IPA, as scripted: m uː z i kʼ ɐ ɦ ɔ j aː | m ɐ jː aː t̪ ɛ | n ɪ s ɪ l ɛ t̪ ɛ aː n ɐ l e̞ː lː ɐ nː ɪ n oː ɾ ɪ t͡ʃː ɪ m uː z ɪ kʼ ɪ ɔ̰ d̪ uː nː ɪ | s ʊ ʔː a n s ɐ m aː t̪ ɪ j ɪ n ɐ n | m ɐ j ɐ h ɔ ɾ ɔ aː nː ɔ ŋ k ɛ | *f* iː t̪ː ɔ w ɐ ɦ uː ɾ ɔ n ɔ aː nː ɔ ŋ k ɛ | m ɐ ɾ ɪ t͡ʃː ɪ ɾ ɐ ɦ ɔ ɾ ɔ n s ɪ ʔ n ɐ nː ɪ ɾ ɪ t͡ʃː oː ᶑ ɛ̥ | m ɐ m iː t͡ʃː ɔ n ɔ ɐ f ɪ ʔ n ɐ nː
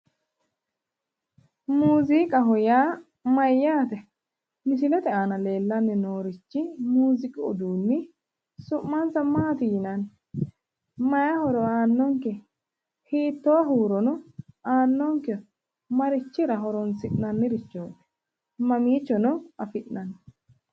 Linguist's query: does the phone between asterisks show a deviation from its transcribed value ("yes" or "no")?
yes